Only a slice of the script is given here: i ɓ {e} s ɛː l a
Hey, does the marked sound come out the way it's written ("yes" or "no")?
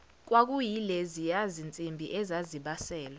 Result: no